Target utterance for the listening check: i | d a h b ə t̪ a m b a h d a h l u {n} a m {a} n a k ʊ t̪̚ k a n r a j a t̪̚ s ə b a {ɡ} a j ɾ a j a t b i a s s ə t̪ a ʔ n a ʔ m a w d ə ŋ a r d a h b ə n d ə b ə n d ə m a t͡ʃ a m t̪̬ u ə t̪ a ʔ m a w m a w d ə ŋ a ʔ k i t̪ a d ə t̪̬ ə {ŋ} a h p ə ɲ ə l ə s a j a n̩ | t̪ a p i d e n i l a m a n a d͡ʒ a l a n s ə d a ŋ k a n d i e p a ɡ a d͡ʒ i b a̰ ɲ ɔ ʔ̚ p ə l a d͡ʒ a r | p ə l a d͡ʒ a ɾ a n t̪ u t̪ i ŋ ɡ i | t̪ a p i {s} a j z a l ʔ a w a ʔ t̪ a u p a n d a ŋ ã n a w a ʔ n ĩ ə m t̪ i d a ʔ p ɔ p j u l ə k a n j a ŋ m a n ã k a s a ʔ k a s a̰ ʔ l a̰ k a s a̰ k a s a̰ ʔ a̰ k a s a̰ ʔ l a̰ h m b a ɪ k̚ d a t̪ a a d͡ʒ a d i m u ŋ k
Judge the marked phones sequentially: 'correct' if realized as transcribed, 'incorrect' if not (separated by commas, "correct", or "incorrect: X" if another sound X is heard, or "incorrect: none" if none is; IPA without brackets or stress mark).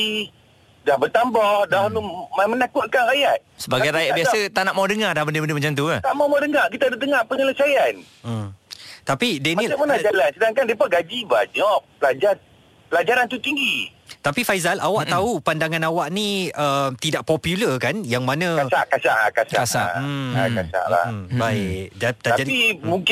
incorrect: m, incorrect: ə, correct, correct, incorrect: f